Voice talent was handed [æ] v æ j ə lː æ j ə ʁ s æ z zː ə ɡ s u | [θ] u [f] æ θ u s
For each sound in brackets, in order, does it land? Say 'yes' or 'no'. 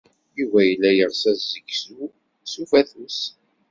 no, no, yes

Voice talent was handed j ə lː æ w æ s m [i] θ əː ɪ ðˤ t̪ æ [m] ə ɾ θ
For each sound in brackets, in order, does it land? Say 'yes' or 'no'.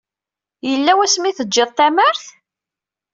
yes, yes

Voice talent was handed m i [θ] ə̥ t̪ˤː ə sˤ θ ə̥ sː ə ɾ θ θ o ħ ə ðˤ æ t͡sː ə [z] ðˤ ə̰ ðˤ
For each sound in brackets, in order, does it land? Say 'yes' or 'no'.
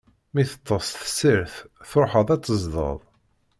yes, yes

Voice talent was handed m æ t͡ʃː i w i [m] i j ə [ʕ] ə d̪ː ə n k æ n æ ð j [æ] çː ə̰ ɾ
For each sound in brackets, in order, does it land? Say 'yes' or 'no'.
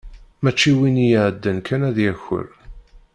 no, yes, yes

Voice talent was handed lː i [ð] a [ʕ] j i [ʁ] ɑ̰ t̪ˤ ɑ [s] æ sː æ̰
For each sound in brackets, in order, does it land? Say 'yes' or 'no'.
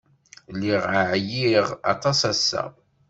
no, yes, yes, yes

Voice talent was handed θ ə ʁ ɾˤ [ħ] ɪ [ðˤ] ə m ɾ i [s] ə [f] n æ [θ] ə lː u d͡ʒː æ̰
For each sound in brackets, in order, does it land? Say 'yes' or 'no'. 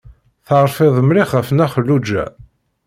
no, yes, no, yes, no

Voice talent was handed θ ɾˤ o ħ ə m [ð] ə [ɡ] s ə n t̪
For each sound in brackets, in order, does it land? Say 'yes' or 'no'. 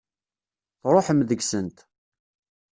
yes, yes

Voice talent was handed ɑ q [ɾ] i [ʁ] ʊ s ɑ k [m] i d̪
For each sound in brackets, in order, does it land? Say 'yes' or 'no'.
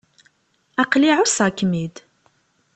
no, no, yes

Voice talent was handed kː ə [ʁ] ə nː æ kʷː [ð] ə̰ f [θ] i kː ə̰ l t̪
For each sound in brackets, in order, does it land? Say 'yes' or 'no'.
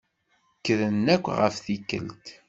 no, no, yes

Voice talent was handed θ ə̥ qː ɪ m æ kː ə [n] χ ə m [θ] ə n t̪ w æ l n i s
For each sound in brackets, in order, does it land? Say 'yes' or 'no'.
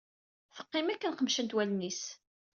yes, no

